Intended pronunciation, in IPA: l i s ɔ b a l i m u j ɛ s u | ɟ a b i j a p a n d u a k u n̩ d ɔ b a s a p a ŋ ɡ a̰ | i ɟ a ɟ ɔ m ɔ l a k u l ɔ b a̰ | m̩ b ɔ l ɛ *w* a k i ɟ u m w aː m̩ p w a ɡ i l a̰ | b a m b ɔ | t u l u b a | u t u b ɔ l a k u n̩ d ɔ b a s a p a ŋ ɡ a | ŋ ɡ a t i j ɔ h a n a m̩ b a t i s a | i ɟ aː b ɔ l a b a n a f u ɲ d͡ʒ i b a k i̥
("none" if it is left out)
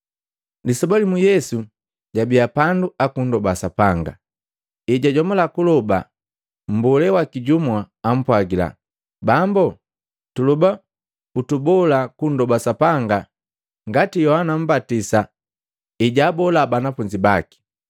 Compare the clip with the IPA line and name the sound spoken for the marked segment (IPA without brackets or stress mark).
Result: w